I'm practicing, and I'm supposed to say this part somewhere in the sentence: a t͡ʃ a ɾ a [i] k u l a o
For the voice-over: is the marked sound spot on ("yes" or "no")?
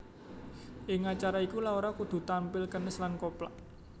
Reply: yes